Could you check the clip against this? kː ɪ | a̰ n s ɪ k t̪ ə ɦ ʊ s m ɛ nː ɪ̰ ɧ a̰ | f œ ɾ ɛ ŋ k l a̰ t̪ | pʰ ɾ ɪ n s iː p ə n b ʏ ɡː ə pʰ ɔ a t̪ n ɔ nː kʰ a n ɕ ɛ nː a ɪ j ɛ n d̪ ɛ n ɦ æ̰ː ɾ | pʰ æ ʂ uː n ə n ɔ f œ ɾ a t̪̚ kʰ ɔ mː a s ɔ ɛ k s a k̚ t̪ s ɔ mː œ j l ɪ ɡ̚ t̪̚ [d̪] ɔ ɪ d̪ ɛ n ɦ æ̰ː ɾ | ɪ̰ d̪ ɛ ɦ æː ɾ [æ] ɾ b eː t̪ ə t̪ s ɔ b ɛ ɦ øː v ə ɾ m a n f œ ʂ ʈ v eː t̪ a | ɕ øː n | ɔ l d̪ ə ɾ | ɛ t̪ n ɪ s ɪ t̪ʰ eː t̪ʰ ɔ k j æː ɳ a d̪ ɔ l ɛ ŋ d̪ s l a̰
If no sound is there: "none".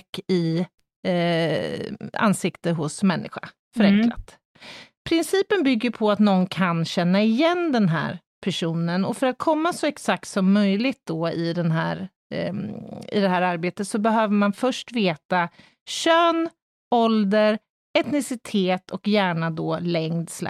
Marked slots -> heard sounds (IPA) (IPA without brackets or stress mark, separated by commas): d̪, a